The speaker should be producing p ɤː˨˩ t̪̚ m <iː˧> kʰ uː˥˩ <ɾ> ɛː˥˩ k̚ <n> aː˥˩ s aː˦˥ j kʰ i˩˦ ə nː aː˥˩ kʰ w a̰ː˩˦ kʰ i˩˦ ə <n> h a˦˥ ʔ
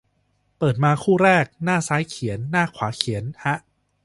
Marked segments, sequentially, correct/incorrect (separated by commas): incorrect, correct, correct, correct